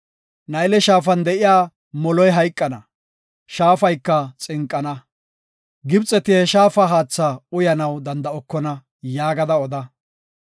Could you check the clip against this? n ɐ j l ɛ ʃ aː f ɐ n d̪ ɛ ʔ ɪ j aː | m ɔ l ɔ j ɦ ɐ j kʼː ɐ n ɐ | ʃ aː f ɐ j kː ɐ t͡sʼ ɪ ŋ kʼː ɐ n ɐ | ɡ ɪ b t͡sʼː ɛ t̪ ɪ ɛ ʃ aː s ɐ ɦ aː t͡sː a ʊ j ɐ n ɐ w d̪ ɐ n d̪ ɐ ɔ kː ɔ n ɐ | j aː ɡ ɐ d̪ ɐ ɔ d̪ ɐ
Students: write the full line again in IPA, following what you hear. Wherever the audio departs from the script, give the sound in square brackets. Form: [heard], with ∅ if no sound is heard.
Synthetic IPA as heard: n ɐ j l ɛ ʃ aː f ɐ n d̪ ɛ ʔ ɪ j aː | m ɔ l ɔ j ɦ ɐ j kʼː ɐ n ɐ | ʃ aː f ɐ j kː ɐ t͡sʼ ɪ ŋ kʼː ɐ n ɐ | ɡ ɪ b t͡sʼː ɛ t̪ ɪ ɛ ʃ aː [f] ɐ ɦ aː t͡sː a ʊ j ɐ n ɐ w d̪ ɐ n d̪ ɐ ɔ kː ɔ n ɐ | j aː ɡ ɐ d̪ ɐ ɔ d̪ ɐ